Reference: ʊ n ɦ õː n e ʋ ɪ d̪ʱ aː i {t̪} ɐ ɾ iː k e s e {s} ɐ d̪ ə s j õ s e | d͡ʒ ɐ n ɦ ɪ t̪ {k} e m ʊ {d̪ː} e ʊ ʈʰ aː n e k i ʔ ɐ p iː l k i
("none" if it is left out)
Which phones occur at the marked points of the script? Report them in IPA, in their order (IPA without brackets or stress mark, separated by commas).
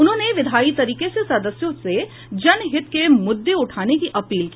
t̪, s, k, d̪ː